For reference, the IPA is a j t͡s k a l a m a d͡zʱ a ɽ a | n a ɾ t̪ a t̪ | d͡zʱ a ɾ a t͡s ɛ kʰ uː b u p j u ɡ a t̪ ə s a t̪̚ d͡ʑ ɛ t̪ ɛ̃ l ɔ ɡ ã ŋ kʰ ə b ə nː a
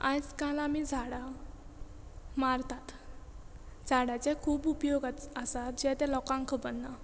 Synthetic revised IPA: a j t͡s k a l a m i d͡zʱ a ɽ a | m a ɾ t̪ a t̪ | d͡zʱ a ɽ a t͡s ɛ kʰ uː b u p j o ɡ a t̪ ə s a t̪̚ d͡ʑ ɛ t̪ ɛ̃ l ɔ k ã ŋ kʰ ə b ə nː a